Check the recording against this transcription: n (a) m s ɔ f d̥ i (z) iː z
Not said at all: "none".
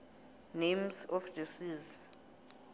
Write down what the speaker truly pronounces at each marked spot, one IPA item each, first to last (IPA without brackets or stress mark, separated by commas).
e, s